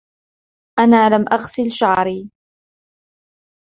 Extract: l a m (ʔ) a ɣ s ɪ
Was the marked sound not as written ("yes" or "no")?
no